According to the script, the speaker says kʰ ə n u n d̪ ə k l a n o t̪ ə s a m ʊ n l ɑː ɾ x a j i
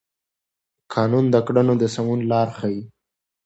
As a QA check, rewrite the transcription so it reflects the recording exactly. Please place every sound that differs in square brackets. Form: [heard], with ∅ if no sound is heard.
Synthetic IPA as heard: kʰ [ɑ] n u n d̪ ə k [ɽ] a n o [d̪] ə s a m [u] n l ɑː ɾ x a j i

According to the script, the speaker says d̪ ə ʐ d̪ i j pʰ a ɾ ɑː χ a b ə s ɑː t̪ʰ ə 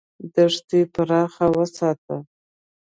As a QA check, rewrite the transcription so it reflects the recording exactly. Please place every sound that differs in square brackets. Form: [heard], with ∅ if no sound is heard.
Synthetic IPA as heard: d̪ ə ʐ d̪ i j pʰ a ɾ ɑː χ a [w] ə s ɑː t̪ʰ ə

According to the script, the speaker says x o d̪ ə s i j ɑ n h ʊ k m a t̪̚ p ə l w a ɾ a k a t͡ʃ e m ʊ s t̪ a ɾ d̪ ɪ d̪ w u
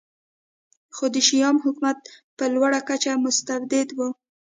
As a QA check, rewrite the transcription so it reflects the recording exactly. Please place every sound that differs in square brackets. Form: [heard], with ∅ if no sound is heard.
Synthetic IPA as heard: x o d̪ ə [ʃ] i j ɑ [m] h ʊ k m a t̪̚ p ə l w a [ɽ] a k a t͡ʃ [a] m ʊ s t̪ a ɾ d̪ ɪ d̪ w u

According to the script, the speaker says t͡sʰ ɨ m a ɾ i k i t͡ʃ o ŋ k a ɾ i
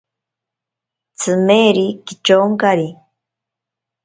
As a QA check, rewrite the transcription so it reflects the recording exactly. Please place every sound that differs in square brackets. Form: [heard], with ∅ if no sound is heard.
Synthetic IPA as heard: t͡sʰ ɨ m [e] ɾ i k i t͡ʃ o ŋ k a ɾ i

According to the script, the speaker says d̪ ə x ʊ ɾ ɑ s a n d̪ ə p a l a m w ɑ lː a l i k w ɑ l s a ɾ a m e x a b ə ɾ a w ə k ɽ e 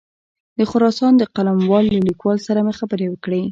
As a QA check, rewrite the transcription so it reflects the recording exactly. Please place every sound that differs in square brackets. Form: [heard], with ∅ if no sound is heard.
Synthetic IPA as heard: d̪ ə x ʊ ɾ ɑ s [ɑ] n d̪ ə [q] a l a m w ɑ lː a l i k w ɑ l s a ɾ a m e x a b ə ɾ [e] w ə k ɽ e

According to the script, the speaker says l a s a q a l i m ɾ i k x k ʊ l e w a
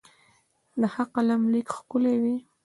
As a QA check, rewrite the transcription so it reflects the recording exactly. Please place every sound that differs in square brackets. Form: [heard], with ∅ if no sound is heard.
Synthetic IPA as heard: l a [h] a q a l [a] m [l] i k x k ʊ l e w [i]

